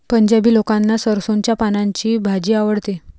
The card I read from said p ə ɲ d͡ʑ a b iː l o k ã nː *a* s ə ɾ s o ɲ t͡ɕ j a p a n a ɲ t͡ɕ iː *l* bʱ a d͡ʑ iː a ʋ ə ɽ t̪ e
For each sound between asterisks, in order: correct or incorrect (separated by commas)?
correct, incorrect